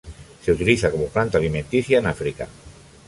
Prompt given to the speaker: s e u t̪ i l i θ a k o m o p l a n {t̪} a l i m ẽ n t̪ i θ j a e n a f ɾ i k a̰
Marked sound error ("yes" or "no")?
no